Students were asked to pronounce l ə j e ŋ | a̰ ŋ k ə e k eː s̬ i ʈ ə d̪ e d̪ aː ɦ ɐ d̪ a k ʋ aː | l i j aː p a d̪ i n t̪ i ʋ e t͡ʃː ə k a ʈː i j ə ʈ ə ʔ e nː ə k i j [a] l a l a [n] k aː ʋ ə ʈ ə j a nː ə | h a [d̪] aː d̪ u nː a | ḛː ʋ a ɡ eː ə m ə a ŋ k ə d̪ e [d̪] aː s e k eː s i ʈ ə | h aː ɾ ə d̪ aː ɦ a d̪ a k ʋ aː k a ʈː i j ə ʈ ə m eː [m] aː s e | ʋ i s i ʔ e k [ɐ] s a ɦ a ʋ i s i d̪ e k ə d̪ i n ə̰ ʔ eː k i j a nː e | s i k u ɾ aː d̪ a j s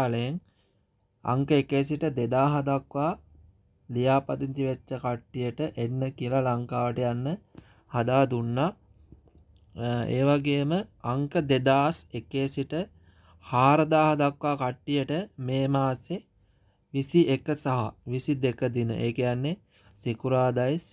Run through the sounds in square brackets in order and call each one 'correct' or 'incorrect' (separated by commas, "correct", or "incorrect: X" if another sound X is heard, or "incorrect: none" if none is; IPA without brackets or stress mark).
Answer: incorrect: ə, incorrect: ŋ, correct, correct, correct, incorrect: ə